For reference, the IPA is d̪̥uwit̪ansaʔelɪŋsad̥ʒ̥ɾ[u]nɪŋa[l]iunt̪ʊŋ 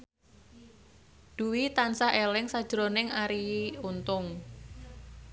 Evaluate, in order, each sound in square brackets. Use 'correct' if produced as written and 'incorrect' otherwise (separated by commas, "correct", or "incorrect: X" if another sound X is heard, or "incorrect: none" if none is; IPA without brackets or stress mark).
incorrect: o, incorrect: ɾ